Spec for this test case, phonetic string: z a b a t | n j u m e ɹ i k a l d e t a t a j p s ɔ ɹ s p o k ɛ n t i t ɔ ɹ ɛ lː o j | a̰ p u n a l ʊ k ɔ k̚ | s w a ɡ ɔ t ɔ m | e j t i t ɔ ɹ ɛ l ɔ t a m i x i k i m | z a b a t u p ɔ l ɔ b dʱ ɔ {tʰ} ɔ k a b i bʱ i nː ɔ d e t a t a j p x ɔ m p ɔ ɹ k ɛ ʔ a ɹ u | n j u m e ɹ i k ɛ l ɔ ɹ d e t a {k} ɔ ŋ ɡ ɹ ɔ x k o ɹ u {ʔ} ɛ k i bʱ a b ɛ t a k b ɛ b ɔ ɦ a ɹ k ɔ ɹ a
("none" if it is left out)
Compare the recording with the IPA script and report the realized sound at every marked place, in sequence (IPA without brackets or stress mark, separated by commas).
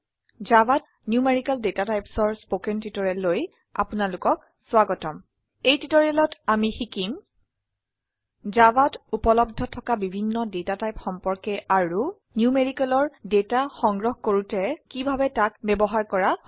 tʰ, x, t